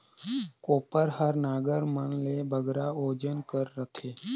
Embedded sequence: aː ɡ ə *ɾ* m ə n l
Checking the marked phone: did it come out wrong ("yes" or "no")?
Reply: no